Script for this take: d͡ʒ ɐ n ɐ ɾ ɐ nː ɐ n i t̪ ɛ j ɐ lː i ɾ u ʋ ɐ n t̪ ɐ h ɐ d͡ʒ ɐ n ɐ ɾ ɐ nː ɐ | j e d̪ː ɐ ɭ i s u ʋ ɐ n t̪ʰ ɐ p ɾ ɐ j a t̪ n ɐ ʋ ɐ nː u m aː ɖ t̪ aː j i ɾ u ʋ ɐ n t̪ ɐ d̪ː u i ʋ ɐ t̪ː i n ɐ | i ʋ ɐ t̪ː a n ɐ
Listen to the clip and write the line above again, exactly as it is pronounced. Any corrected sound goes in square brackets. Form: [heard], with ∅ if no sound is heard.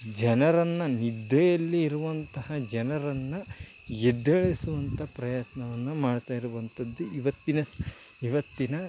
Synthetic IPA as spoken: d͡ʒ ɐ n ɐ ɾ ɐ nː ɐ n i [d̪] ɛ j ɐ lː [iː] ɾ u ʋ ɐ n t̪ ɐ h ɐ d͡ʒ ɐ n ɐ ɾ ɐ nː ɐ | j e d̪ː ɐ ɭ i s u ʋ ɐ n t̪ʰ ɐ p ɾ ɐ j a t̪ n ɐ ʋ ɐ nː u m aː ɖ t̪ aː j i ɾ u ʋ ɐ n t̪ ɐ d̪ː u i ʋ ɐ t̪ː i n ɐ | i ʋ ɐ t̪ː [i] n ɐ